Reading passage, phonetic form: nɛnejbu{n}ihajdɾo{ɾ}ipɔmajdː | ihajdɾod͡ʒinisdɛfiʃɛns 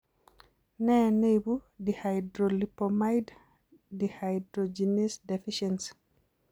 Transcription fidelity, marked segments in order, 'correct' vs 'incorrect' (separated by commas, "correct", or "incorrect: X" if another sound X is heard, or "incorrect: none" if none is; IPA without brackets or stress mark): incorrect: d, incorrect: l